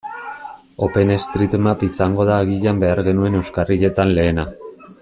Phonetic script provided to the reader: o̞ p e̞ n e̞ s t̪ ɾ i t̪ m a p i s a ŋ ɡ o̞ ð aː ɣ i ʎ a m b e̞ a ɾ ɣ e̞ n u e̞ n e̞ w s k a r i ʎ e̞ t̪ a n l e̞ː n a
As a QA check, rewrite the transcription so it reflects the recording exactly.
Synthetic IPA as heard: o̞ p e̞ n e̞ s t̪ ɾ i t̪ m a p i s a ŋ ɡ o̞ ð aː ɣ i ʎ a m b e̞ a ɾ ɣ e̞ n u e̞ n e̞ w s k a r i ʎ e̞ t̪ a n l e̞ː n a